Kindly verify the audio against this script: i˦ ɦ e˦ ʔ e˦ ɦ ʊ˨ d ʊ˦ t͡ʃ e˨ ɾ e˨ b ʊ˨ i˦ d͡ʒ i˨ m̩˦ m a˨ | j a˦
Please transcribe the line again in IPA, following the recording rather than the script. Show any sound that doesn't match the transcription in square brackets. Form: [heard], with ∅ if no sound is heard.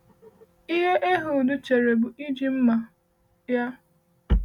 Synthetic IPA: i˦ ɦ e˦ ʔ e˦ ɦ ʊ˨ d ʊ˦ t͡ʃ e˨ ɾ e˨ b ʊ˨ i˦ d͡ʒ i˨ m̩˦ m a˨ | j a˦